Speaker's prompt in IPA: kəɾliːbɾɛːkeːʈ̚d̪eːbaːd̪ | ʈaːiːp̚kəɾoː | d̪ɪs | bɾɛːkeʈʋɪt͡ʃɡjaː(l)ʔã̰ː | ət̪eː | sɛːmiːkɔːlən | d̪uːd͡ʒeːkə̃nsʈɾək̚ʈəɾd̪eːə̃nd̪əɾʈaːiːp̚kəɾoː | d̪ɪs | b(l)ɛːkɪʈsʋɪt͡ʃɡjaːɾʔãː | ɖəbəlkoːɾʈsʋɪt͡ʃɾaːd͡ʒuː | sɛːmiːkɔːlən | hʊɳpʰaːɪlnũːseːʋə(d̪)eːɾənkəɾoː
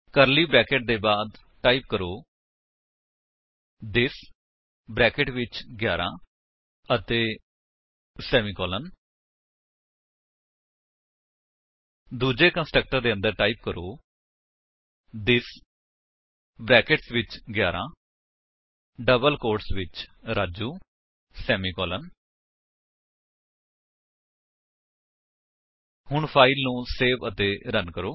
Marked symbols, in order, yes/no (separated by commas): no, no, no